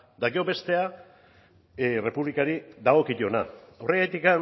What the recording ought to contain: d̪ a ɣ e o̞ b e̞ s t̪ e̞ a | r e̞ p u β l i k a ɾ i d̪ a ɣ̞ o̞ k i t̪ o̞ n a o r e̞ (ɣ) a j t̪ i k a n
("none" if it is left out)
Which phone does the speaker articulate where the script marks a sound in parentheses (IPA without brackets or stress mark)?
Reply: ɣ